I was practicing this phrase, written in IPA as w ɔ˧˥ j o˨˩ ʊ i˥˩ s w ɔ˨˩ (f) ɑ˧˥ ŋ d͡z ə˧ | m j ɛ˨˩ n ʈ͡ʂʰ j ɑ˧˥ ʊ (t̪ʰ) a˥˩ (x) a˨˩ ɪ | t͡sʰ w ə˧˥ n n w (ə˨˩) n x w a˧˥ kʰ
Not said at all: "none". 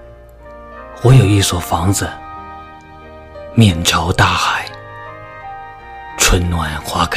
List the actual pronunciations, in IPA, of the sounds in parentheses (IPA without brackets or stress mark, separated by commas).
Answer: f, t̪, x, a˨˩